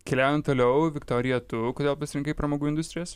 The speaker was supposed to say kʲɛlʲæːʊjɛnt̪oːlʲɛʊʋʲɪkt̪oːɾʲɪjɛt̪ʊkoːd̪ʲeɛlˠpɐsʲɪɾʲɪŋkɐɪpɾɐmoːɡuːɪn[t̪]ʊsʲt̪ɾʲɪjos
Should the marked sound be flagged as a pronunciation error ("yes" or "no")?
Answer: yes